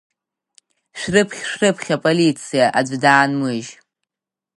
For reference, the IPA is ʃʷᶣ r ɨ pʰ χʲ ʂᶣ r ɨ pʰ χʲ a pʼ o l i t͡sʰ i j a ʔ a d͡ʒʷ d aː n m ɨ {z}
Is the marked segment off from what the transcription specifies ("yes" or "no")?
yes